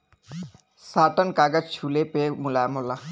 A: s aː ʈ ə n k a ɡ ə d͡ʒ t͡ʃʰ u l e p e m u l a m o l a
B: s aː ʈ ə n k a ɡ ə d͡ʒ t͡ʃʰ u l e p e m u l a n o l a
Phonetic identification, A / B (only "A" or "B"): A